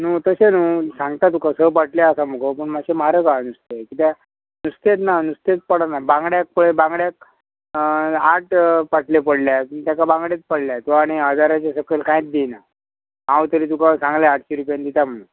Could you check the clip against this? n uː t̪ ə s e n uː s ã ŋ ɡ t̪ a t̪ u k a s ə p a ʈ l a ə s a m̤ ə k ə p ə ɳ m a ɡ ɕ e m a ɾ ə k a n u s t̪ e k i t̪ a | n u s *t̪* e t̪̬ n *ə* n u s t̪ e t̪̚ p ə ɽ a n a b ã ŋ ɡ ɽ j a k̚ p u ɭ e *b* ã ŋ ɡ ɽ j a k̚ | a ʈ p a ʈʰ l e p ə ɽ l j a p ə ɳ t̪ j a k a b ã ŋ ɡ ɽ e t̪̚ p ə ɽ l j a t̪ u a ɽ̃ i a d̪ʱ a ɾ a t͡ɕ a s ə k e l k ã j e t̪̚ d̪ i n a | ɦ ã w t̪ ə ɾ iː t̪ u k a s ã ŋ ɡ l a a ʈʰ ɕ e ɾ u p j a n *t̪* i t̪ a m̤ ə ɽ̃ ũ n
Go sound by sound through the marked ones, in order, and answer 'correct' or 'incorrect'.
correct, incorrect: a, correct, incorrect: d̪

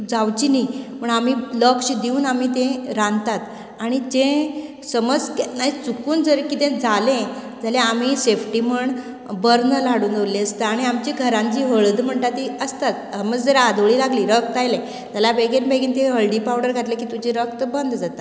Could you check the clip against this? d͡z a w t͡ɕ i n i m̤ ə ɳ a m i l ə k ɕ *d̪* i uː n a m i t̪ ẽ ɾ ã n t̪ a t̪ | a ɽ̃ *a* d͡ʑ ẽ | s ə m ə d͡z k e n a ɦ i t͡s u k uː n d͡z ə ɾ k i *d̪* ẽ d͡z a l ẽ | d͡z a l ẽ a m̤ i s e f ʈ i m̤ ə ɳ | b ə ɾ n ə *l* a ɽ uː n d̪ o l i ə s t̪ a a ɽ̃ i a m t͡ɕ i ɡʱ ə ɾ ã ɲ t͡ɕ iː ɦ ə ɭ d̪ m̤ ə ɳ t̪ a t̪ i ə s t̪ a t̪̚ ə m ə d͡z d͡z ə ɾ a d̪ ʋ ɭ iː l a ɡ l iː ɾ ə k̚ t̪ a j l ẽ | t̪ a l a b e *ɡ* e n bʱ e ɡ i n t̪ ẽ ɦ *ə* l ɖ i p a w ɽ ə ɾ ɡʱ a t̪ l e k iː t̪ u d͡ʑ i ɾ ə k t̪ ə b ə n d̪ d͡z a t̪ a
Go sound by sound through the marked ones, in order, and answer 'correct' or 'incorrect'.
correct, incorrect: i, incorrect: t̪, correct, correct, correct

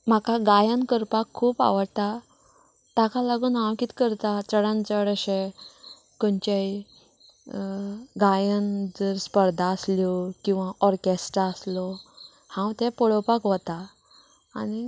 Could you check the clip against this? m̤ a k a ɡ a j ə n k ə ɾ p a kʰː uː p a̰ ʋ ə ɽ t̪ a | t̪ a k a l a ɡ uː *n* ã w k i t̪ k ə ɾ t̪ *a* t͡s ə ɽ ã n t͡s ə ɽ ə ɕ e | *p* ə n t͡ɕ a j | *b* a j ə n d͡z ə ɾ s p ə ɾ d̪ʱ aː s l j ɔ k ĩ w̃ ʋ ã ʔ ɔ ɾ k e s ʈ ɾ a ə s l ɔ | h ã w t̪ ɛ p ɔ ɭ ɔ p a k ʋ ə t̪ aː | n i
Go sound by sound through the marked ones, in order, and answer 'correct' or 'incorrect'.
correct, correct, incorrect: k, incorrect: ɡ

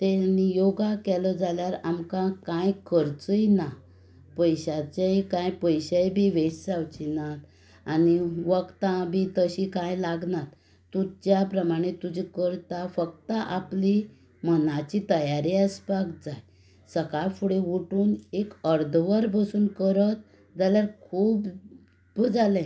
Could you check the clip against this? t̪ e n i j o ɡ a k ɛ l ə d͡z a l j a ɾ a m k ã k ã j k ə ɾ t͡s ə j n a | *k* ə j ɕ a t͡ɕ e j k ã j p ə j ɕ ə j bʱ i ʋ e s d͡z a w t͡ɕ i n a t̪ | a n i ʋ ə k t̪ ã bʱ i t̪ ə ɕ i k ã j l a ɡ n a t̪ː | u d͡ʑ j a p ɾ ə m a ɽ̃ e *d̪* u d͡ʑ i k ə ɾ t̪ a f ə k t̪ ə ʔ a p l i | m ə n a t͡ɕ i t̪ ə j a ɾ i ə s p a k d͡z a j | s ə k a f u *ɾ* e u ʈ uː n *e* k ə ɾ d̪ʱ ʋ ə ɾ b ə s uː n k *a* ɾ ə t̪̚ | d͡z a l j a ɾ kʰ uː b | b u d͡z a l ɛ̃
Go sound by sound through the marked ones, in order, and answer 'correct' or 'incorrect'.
incorrect: p, incorrect: t̪, incorrect: ɽ, correct, incorrect: ə

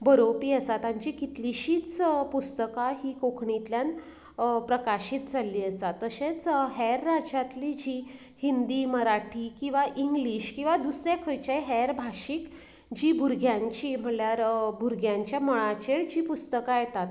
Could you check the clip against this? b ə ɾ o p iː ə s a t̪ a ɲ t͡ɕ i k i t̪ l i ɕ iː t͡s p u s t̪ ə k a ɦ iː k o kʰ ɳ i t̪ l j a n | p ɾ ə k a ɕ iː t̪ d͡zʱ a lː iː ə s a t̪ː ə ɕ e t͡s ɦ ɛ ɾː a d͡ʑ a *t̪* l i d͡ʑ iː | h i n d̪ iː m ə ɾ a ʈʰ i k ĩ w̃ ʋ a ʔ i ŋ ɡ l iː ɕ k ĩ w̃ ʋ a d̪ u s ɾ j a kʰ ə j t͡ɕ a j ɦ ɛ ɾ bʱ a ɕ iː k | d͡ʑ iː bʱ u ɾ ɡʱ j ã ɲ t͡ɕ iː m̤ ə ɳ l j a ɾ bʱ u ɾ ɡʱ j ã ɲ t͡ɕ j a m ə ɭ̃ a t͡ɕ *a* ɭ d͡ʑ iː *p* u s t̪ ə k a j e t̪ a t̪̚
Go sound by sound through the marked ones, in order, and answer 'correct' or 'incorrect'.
correct, incorrect: e, correct

